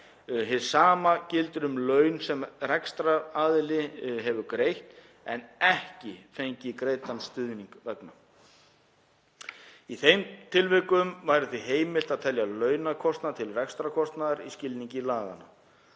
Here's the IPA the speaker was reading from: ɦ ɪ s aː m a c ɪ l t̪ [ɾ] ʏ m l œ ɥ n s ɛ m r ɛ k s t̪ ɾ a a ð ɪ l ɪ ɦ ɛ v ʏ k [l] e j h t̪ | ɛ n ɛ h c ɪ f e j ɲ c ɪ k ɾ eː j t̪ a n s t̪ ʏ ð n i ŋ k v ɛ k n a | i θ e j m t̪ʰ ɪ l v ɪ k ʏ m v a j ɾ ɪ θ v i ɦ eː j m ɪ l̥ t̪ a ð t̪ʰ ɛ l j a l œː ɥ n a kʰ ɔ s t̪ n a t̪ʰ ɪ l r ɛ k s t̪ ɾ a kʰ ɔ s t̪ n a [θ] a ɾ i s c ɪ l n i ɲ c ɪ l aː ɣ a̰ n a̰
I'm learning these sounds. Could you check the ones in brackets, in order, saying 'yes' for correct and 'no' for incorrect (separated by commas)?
yes, no, no